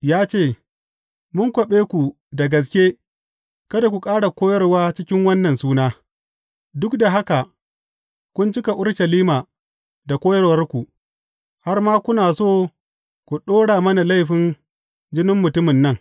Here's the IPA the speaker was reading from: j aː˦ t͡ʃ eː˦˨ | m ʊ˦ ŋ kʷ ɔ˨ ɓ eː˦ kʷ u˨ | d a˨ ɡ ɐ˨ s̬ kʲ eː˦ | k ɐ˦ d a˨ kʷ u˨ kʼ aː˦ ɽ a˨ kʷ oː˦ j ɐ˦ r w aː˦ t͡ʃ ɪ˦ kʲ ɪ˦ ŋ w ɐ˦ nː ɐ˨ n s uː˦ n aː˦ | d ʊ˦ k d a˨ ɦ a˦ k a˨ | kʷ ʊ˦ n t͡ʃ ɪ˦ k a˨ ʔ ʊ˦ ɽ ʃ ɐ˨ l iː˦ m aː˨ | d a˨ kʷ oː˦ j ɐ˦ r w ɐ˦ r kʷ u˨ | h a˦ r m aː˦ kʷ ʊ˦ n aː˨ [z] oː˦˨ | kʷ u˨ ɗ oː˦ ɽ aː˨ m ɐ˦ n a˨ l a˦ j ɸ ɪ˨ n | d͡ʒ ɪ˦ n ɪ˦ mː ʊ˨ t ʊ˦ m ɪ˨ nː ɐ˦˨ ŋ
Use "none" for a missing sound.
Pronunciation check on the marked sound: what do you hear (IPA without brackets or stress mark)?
s